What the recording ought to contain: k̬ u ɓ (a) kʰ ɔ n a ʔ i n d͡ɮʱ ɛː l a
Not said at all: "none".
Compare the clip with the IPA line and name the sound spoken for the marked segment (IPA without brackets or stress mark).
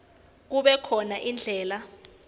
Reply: ɛ